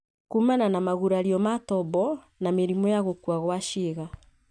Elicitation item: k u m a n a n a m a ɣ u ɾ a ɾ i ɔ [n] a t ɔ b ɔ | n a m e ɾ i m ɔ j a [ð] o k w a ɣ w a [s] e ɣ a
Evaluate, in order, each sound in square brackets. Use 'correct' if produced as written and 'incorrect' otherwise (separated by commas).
incorrect, incorrect, incorrect